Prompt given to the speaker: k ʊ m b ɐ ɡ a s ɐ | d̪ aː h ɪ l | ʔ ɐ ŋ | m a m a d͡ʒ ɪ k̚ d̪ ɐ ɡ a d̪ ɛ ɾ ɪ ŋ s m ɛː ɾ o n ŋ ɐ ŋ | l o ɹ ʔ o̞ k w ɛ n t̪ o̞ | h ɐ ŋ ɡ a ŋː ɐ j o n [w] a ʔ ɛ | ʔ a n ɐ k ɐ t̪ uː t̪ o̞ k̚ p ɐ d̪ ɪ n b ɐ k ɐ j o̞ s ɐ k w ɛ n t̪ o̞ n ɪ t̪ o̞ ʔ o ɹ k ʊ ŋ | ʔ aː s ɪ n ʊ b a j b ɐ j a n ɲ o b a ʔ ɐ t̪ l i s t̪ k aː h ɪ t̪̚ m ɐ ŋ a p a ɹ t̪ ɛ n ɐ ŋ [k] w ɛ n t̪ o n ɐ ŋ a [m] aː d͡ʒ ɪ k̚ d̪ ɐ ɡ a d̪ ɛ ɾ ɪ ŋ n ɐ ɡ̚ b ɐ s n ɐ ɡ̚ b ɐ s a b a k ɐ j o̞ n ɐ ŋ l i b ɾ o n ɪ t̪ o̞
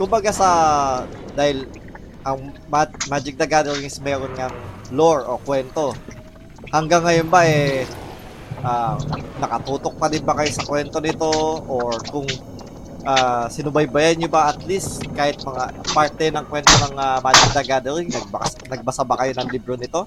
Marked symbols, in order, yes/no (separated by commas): no, yes, yes